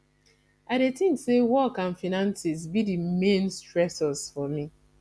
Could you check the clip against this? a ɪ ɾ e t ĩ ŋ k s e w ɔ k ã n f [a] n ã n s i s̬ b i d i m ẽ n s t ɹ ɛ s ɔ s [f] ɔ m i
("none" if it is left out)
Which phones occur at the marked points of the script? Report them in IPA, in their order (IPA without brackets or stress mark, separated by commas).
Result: i, f